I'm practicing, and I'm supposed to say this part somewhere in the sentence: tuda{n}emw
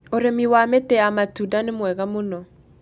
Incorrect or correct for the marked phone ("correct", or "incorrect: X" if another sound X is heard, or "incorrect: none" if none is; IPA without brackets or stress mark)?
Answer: correct